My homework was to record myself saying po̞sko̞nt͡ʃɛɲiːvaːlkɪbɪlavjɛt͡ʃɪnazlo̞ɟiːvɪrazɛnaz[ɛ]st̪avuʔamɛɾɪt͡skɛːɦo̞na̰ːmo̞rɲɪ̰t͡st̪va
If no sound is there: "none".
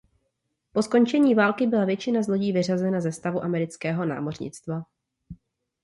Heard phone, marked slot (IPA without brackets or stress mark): ɛ